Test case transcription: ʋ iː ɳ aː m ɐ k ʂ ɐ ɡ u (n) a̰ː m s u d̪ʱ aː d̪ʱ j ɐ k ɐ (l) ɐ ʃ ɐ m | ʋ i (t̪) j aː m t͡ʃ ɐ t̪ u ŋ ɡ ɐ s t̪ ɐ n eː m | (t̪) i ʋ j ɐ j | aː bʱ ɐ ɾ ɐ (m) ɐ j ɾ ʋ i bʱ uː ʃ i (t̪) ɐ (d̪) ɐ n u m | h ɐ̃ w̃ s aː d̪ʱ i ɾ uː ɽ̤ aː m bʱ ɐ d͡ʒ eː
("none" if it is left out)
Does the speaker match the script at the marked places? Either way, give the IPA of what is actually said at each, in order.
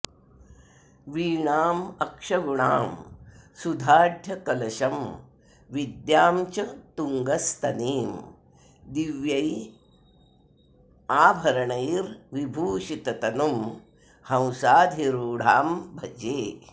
ɳ, l, d̪, d̪, ɳ, t̪, t̪

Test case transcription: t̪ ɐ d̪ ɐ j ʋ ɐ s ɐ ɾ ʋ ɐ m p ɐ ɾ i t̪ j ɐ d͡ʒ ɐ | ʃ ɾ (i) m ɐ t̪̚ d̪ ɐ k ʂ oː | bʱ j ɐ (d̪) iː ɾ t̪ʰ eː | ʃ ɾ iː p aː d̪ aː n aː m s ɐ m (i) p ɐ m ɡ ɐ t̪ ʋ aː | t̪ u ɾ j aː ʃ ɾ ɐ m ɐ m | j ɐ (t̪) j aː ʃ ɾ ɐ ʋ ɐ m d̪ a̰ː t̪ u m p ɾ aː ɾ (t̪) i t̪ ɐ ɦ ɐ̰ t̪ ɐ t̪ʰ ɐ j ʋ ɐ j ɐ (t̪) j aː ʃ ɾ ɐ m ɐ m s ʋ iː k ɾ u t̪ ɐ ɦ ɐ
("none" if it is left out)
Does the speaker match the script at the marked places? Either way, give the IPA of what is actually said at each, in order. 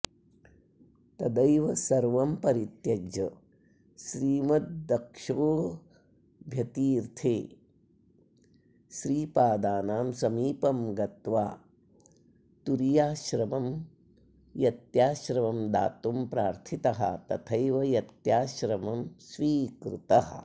iː, t̪, iː, t̪, t̪ʰ, t̪

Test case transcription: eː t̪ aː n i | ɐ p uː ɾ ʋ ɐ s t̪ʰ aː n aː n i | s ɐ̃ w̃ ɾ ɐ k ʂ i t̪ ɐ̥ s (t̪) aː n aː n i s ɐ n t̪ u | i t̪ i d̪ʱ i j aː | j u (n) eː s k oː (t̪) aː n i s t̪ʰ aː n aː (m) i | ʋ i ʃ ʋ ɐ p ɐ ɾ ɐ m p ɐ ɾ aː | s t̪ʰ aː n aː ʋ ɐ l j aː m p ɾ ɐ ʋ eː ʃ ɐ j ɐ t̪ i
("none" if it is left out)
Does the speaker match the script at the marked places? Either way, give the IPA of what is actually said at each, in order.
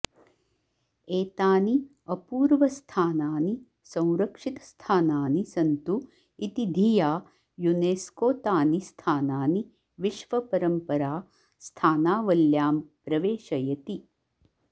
t̪ʰ, n, t̪, n

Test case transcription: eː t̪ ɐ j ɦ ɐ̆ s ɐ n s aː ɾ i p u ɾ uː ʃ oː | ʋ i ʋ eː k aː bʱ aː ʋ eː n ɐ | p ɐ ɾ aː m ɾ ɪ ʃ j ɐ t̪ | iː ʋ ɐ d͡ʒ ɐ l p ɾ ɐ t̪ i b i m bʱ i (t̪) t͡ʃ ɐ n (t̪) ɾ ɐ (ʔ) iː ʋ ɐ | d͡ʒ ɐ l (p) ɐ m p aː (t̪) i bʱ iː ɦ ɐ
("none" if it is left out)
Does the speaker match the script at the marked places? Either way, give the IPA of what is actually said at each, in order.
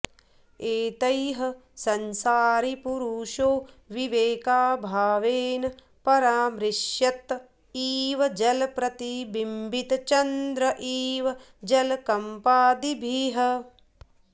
t̪, d̪, ʔ, k, d̪

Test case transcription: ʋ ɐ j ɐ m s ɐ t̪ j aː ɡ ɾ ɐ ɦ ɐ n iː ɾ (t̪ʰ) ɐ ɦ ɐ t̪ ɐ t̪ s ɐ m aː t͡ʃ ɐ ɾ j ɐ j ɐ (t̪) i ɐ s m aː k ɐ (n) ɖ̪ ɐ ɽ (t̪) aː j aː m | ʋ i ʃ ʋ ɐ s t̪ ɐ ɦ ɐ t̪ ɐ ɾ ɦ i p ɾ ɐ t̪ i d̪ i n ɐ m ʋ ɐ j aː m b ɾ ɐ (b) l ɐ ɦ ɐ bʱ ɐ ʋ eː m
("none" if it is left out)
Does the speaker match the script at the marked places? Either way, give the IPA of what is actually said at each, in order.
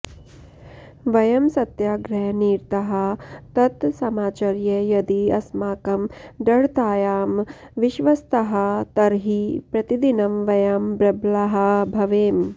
t̪, d̪, m, t̪, b

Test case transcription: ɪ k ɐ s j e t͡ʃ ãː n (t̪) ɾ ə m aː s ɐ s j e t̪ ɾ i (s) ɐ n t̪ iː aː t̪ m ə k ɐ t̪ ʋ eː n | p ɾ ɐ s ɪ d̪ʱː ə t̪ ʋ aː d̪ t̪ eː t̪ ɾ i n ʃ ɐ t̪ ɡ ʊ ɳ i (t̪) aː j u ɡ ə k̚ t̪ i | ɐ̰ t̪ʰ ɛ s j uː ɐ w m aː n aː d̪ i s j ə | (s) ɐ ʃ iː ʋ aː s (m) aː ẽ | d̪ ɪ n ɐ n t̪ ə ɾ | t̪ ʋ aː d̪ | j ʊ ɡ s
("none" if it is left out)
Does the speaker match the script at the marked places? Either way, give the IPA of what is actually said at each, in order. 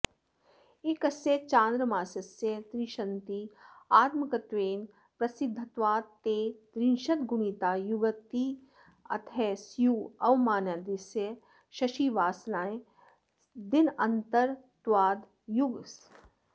d̪, ʃ, t̪, ʃ, n

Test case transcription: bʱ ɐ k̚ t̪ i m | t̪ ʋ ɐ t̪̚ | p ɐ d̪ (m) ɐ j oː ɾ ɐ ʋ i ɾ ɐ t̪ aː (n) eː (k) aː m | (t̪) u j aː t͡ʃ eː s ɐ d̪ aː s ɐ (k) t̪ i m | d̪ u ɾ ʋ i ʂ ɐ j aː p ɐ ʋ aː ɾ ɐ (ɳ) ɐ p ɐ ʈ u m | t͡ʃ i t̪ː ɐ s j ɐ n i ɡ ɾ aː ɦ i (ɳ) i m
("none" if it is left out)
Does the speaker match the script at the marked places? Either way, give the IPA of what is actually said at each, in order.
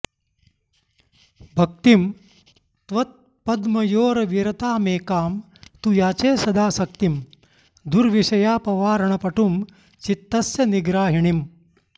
m, m, k, t̪, k, ɳ, ɳ

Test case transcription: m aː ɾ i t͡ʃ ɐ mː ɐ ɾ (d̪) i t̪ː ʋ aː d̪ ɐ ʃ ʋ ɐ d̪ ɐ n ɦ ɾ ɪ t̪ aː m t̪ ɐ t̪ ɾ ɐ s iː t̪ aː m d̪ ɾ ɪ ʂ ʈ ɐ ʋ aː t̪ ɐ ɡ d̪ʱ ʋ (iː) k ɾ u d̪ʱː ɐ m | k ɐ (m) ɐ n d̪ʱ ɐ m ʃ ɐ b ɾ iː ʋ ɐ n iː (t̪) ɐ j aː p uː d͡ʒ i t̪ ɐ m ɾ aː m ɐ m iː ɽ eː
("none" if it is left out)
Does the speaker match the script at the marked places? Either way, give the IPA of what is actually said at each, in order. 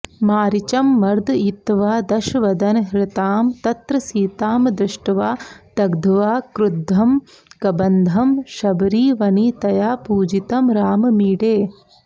d̪, aː, b, t̪

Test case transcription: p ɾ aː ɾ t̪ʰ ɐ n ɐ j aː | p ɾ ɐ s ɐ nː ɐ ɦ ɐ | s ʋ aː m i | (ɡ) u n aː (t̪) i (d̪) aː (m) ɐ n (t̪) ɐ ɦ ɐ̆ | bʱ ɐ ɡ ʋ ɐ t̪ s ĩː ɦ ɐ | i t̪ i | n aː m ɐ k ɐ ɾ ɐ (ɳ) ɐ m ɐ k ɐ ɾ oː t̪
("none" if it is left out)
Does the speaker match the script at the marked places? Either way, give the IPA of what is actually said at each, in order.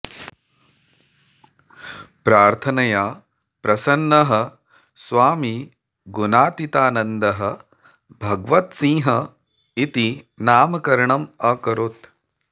ɡ, t̪, t̪, n, d̪, ɳ

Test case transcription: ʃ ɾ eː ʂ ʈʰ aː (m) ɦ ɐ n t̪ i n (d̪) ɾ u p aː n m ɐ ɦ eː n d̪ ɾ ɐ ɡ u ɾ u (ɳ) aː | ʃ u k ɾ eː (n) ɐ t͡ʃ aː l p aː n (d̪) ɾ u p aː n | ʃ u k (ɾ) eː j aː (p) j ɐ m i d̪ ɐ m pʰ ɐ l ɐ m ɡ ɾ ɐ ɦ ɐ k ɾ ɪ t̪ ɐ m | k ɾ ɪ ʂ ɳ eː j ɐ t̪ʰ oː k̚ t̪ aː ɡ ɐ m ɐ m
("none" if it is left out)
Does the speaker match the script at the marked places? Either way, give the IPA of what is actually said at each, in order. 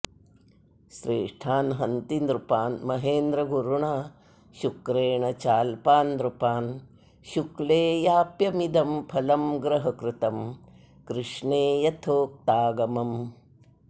n, d̪, ɳ, ɳ, d̪, l, p

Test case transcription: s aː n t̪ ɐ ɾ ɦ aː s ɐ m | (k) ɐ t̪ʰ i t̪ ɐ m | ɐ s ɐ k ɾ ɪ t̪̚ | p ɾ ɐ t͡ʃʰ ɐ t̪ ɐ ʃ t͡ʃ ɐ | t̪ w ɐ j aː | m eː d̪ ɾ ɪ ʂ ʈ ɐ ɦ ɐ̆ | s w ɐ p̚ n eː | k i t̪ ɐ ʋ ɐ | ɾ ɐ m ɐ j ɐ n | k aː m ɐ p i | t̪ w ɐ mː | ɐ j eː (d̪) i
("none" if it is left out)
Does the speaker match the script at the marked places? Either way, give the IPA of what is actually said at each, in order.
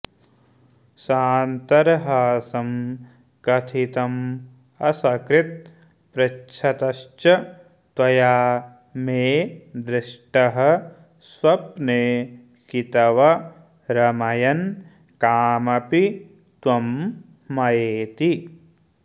k, t̪

